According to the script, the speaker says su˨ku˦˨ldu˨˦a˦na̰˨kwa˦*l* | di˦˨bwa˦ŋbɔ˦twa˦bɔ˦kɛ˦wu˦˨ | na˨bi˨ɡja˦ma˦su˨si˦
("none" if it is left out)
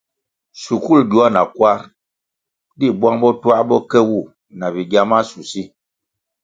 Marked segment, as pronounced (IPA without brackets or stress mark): ɾ